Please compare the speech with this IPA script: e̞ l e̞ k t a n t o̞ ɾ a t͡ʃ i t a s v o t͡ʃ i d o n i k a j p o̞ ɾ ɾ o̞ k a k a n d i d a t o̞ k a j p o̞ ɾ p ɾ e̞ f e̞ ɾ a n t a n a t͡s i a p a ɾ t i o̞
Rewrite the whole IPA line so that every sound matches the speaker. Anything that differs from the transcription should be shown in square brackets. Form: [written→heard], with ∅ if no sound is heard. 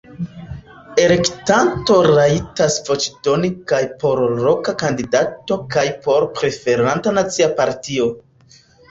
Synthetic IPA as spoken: e̞ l e̞ k t a n t o̞ ɾ a [t͡ʃ→∅] i t a s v o t͡ʃ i d o n i k a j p o̞ ɾ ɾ o̞ k a k a n d i d a t o̞ k a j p o̞ ɾ p ɾ e̞ f e̞ ɾ a n t a n a t͡s i a p a ɾ t i o̞